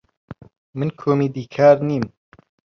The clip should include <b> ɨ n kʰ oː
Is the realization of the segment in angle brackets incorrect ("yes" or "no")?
yes